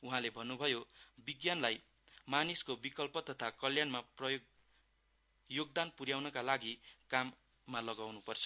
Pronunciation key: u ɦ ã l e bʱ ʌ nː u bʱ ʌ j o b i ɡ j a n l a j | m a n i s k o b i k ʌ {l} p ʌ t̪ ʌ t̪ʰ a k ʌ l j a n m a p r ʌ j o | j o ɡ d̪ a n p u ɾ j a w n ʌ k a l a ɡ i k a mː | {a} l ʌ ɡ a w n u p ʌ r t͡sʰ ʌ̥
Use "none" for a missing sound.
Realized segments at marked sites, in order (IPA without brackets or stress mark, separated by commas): l, a